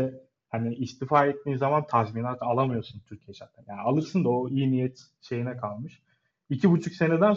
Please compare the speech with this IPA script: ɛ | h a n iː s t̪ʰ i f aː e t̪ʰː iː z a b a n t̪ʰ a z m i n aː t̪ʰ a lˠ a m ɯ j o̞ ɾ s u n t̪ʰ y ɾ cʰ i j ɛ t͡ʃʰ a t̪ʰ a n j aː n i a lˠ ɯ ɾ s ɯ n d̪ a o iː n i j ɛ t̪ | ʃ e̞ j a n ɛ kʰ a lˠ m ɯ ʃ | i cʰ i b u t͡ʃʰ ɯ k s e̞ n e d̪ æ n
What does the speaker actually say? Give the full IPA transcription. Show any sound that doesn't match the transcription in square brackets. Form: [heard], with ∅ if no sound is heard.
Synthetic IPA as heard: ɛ | h a n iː s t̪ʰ i f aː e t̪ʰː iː z a [m] a n t̪ʰ a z m i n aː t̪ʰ a lˠ a m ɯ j o̞ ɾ s u n t̪ʰ y ɾ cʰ i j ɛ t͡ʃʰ a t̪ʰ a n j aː n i a lˠ ɯ ɾ s ɯ n d̪ a o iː n i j ɛ t̪ | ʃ e̞ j [i] n ɛ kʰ a lˠ m ɯ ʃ | i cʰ i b u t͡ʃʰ [u] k s e̞ n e d̪ æ n